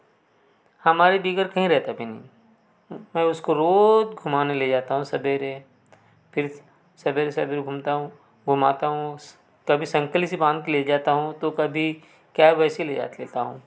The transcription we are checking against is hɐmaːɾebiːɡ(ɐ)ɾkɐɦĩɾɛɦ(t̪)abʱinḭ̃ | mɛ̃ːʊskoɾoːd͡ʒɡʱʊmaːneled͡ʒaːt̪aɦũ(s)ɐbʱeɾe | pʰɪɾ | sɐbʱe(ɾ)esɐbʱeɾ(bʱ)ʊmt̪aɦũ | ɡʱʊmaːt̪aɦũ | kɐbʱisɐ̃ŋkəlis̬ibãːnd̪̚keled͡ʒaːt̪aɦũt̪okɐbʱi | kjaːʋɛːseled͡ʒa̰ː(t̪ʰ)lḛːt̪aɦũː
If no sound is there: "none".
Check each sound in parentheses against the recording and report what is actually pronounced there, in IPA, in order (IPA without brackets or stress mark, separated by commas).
ə, t̪, s, ɾ, ɡʱ, t̪